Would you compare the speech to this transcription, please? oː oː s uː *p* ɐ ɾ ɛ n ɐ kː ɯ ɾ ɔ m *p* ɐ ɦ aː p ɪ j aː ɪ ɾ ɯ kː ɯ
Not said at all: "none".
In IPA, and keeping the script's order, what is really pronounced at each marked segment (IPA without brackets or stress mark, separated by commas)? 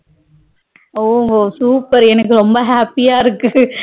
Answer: p, b